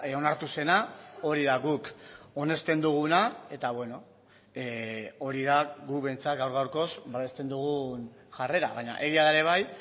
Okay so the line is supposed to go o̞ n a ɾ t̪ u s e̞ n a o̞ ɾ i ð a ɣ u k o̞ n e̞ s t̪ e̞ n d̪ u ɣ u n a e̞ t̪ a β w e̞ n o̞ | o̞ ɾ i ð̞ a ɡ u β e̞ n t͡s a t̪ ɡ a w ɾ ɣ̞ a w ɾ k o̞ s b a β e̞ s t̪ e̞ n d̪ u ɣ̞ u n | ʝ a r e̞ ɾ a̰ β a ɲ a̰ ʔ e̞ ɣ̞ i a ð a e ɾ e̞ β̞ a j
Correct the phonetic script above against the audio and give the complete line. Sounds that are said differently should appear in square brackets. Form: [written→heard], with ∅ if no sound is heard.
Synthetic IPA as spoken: o̞ n a ɾ t̪ u s e̞ n a o̞ ɾ i ð a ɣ u k o̞ n e̞ s t̪ e̞ n d̪ u ɣ u n a e̞ t̪ a β w e̞ n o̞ | o̞ ɾ i ð̞ a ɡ u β e̞ n t͡s a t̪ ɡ a w ɾ ɣ̞ a w ɾ k o̞ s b a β e̞ s t̪ e̞ n d̪ u ɣ̞ u n | ʝ a r e̞ ɾ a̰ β a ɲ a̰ ʔ e̞ ɣ̞ i a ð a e ɾ e̞ β̞ a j

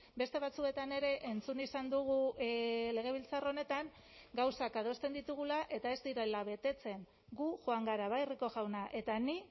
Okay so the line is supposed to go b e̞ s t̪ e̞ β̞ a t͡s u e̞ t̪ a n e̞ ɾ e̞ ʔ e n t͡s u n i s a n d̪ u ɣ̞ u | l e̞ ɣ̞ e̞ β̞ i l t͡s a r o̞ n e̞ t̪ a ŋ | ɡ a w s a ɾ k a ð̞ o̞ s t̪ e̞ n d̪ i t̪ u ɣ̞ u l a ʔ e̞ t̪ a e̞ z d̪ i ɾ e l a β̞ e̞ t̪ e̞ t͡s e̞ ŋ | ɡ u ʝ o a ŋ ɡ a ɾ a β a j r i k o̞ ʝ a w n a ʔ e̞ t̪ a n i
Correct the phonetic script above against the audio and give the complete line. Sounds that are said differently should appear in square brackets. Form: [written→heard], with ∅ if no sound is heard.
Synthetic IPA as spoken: b e̞ s t̪ e̞ β̞ a t͡s u e̞ t̪ a n e̞ ɾ e̞ ʔ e n t͡s u n i s a n d̪ u ɣ̞ u | l e̞ ɣ̞ e̞ β̞ i l t͡s a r o̞ n e̞ t̪ a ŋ | ɡ a w s a [ɾ→∅] k a ð̞ o̞ s t̪ e̞ n d̪ i t̪ u ɣ̞ u l a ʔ e̞ t̪ a e̞ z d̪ i ɾ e l a β̞ e̞ t̪ e̞ t͡s e̞ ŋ | ɡ u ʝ o a ŋ ɡ a ɾ a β a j r i k o̞ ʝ a w n a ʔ e̞ t̪ a n i

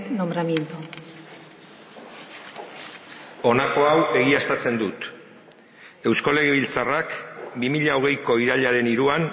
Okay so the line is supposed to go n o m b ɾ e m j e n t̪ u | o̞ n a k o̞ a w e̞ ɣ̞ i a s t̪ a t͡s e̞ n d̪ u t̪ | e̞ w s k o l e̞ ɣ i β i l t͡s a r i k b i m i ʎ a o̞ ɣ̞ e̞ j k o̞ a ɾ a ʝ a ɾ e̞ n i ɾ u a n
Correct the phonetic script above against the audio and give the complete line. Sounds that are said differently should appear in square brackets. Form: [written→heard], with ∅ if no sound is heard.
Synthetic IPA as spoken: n o m b ɾ [e→a] m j e n t̪ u | o̞ n a k o̞ a w e̞ ɣ̞ i a s t̪ a t͡s e̞ n d̪ u t̪ | e̞ w s k o l e̞ ɣ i β i l t͡s a r [i→a] k b i m i ʎ a o̞ ɣ̞ e̞ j k o̞ [a→i] ɾ a [ʝ→ʎ] a ɾ e̞ n i ɾ u a n

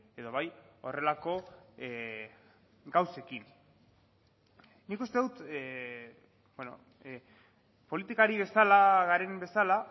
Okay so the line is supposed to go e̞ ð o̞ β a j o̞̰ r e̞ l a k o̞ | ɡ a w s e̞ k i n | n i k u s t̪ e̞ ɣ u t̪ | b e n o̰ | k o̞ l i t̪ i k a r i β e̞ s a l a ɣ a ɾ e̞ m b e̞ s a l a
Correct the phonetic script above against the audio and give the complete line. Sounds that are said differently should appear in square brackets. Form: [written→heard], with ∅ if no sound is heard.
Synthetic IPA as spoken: e̞ ð o̞ β a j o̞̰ r e̞ l a k o̞ | ɡ a w s e̞ k i n | n i k u s t̪ e̞ [ɣ→ð] u t̪ | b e n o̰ | [k→p] o̞ l i t̪ i k a [r→ɾ] i β e̞ s a l a ɣ a ɾ e̞ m b e̞ s a l a

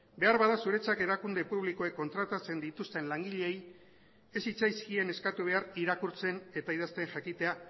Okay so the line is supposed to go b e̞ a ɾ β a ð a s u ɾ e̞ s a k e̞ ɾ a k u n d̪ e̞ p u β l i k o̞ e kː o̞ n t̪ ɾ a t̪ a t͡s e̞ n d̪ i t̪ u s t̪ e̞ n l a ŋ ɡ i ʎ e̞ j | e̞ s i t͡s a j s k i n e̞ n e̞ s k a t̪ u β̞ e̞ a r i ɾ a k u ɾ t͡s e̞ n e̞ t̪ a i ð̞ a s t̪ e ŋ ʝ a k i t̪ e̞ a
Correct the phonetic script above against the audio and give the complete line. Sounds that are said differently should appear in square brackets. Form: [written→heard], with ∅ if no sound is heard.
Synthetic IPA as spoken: b e̞ a ɾ β a ð a s u ɾ e̞ [s→t͡s] a k e̞ ɾ a k u n d̪ e̞ p u β l i k o̞ e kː o̞ n t̪ ɾ a t̪ a t͡s e̞ n d̪ i t̪ u s t̪ e̞ n l a ŋ ɡ i ʎ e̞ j | e̞ s i t͡s a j s k i [n→∅] e̞ n e̞ s k a t̪ u β̞ e̞ a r i ɾ a k u ɾ t͡s e̞ n e̞ t̪ a i ð̞ a s t̪ e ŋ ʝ a k i t̪ e̞ a

